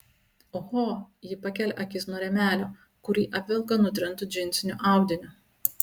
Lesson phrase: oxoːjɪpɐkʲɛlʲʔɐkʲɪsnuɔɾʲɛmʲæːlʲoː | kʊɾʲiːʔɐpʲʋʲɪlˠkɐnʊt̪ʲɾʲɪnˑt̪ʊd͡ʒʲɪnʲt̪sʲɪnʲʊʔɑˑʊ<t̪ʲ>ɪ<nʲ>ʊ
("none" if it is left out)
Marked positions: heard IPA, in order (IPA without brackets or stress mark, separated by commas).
d̪ʲ, nʲ